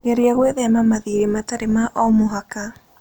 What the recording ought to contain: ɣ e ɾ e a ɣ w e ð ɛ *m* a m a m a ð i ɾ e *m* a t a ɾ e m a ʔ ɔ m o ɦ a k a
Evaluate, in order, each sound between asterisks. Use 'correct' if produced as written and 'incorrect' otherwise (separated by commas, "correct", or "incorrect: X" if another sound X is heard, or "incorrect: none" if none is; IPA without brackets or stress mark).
incorrect: none, correct